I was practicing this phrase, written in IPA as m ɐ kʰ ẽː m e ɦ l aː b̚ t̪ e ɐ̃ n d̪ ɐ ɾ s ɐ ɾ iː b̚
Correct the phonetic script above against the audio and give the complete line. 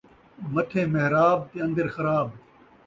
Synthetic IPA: m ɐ ʈʰ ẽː m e ɦ ɾ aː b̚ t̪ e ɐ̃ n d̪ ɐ ɾ x ɐ ɾ aː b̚